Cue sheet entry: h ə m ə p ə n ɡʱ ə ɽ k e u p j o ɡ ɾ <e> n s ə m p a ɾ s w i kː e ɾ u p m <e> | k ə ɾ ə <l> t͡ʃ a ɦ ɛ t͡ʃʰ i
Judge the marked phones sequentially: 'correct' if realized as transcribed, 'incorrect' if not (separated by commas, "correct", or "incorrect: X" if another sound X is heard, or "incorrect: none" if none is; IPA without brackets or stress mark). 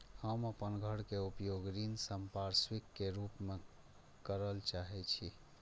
incorrect: i, correct, correct